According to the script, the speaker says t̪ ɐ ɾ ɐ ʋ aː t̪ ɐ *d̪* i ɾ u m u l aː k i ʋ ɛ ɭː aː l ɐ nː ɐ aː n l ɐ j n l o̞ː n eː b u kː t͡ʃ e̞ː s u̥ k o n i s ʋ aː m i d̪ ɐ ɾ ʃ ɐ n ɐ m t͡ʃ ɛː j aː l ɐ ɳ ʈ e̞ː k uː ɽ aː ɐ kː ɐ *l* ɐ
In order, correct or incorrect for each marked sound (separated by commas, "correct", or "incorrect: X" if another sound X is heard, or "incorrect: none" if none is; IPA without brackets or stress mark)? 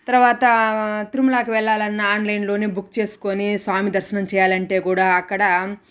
incorrect: t̪, incorrect: ɽ